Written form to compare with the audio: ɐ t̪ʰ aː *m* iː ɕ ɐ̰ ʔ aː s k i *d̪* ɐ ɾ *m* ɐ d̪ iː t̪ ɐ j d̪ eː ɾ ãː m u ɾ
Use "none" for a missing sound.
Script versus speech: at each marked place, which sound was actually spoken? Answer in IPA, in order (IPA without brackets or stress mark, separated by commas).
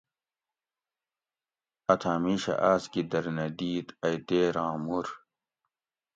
m, d̪, n